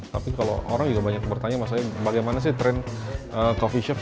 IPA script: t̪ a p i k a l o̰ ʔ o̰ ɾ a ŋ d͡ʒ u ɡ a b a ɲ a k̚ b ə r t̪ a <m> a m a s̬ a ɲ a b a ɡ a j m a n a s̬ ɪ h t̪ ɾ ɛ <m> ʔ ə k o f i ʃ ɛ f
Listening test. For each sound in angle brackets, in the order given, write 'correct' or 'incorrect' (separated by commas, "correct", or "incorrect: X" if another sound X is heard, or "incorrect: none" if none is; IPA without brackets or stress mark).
incorrect: ɲ, incorrect: n